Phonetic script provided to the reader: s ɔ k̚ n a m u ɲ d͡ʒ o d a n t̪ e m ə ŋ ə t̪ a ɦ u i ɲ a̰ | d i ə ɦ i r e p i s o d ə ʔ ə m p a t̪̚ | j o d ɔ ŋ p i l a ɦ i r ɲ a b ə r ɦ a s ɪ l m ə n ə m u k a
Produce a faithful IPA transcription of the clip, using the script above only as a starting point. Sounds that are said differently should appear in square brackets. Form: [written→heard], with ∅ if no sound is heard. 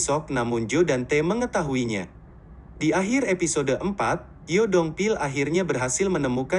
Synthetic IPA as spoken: s ɔ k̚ n a m u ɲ d͡ʒ o d a n t̪ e m ə ŋ ə t̪ a ɦ u i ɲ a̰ | d i [ə→a] ɦ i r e p i s o d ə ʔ ə m p a t̪̚ | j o d ɔ ŋ p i l a ɦ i r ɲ a b ə r ɦ a s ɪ l m ə n ə m u k a